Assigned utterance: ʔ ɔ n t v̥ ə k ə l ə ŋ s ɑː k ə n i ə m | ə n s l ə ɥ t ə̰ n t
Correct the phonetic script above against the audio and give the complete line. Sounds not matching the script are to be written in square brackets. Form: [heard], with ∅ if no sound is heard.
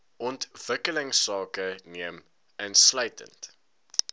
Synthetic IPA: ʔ ɔ n t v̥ ə k ə l ə ŋ s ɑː k ə n i ə m | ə n s l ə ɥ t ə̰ n t